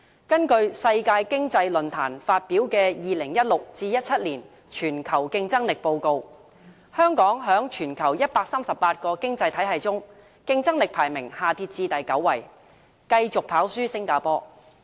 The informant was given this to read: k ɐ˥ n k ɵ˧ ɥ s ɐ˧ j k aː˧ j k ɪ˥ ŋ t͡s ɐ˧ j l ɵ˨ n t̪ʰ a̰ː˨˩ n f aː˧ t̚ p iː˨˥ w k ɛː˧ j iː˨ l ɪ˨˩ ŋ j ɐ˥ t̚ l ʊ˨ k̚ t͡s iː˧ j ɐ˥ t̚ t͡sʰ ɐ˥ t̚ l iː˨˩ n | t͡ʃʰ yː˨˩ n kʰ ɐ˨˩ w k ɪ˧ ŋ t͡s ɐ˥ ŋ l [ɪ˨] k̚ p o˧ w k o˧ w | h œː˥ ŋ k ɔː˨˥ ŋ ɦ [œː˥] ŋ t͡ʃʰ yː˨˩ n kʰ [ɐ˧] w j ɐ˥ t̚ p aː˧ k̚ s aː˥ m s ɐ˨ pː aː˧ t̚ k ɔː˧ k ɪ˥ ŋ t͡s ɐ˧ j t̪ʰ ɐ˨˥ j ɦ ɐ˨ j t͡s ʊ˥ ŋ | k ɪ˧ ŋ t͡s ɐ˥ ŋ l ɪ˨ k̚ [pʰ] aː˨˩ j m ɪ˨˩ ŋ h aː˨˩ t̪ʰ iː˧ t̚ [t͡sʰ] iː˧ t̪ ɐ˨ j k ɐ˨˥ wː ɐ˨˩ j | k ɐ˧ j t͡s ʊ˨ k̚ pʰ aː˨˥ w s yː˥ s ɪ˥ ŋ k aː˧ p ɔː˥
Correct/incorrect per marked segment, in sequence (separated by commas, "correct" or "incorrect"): correct, incorrect, incorrect, correct, incorrect